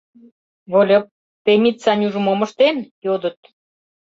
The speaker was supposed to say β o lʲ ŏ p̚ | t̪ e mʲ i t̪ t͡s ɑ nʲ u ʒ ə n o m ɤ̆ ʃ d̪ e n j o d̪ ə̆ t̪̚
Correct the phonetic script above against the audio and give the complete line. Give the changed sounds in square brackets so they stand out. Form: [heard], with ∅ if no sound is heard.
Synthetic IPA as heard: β o lʲ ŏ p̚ | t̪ e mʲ i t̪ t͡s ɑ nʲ u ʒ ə [m] o m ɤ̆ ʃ [t̪] e n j o d̪ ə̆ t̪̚